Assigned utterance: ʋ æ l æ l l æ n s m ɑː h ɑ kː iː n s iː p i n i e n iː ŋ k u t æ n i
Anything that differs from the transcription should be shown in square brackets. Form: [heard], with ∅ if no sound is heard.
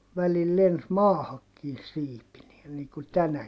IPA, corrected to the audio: ʋ æ l [i] l l [e] n s m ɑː h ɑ kː iː n s iː p i n i e n iː ŋ k u t æ n [æ]